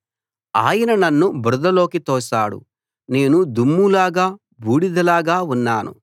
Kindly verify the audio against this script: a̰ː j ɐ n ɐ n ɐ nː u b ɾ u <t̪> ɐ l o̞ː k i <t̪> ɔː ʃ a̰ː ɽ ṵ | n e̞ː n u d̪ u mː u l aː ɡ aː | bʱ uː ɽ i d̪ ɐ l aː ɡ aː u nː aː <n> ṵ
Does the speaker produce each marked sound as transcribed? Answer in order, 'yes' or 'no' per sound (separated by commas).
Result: no, yes, yes